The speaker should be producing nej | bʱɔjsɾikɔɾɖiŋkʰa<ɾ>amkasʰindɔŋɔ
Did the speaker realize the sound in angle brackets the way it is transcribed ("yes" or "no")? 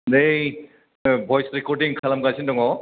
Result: no